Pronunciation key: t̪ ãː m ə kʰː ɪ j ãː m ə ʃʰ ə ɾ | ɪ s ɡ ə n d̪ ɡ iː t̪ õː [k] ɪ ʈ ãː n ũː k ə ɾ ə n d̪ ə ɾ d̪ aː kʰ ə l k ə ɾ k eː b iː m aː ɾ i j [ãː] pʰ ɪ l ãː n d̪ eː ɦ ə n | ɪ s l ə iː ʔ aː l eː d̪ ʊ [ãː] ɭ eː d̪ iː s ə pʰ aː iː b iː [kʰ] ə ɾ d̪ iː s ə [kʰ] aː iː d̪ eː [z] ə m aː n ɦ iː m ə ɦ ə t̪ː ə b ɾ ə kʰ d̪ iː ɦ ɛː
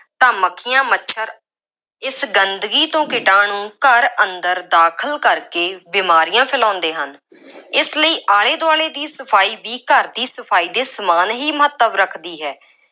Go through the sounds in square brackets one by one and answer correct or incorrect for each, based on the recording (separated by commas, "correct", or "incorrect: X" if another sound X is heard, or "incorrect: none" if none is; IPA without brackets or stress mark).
correct, correct, incorrect: aː, incorrect: k, incorrect: pʰ, incorrect: s